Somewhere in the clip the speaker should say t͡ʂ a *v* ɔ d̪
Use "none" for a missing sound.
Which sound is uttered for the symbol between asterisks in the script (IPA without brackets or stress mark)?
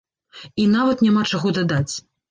ɣ